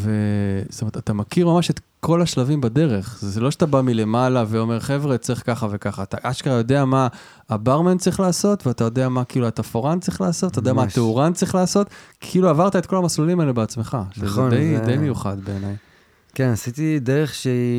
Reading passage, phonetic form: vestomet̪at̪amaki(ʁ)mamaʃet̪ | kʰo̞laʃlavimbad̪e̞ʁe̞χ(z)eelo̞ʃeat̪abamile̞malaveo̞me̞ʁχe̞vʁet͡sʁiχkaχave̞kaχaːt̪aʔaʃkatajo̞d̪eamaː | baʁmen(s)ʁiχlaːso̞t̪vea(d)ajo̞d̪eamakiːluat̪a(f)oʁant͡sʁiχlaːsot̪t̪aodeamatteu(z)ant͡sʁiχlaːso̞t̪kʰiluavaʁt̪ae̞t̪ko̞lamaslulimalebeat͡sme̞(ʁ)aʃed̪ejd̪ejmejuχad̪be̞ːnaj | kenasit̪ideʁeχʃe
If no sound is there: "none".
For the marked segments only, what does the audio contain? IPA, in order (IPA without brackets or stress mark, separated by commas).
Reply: ʁ, z, t͡s, t, f, ʁ, χ